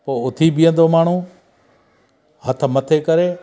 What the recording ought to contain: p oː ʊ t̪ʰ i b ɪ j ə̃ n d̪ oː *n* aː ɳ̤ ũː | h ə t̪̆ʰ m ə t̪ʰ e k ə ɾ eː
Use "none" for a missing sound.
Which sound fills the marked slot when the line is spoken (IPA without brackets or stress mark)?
m